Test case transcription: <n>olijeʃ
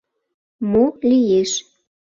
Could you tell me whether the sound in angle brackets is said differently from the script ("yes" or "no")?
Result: yes